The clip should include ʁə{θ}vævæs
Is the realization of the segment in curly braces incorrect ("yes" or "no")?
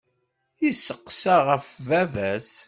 yes